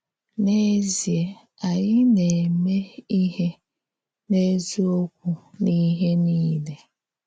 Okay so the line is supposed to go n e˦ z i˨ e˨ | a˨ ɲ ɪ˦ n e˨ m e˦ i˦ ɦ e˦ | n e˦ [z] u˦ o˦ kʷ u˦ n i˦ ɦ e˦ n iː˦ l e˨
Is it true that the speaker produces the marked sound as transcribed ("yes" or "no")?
yes